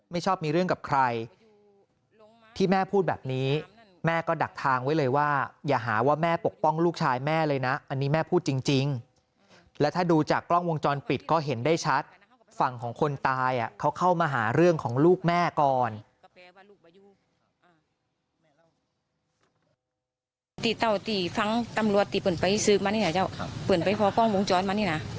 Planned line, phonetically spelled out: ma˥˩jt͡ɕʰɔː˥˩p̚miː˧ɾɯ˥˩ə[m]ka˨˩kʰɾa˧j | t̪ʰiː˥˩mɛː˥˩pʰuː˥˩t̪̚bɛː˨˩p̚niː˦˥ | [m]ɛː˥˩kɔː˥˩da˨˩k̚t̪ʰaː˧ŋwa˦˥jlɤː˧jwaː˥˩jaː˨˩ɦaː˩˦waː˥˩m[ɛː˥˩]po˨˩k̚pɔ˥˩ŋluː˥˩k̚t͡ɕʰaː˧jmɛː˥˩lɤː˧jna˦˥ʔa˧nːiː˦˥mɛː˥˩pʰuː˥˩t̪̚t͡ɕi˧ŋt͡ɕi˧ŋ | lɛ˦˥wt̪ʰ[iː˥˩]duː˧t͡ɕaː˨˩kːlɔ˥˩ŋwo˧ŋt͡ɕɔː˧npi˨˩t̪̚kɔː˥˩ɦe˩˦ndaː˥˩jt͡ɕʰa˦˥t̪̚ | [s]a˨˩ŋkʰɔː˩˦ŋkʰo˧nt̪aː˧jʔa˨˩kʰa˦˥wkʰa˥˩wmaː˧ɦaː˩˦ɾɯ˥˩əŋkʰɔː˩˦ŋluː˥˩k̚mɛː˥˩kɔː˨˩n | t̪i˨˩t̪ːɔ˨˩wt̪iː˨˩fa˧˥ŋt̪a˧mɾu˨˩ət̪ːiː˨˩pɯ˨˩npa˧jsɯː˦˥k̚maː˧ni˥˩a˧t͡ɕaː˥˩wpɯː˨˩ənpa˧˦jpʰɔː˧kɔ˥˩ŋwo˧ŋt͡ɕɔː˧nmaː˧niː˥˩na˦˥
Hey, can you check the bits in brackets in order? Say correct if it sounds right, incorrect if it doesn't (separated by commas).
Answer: incorrect, correct, correct, incorrect, incorrect